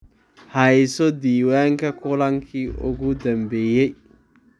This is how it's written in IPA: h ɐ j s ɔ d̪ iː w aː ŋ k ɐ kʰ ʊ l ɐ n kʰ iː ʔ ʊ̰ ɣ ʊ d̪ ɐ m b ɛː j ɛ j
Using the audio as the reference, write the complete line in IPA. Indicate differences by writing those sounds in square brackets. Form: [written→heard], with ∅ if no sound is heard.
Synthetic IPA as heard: h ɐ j s ɔ d̪ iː w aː ŋ k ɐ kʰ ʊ l ɐ [n→ŋ] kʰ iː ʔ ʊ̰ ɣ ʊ d̪ ɐ m b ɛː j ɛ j